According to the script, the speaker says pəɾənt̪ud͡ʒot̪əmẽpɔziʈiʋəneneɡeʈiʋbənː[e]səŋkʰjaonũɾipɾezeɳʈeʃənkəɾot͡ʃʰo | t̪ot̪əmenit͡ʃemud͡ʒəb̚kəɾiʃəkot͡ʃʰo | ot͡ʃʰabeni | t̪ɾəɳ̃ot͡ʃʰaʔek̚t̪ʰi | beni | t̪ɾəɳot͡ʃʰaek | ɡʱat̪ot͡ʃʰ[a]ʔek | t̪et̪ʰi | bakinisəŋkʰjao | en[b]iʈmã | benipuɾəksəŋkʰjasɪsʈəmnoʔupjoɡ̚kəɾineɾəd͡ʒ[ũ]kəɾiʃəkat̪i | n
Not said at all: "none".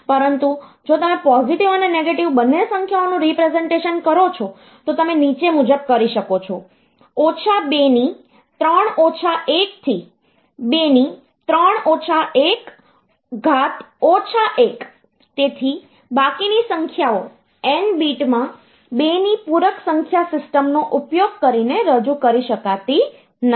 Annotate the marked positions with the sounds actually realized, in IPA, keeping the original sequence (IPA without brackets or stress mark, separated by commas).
e, a, b, u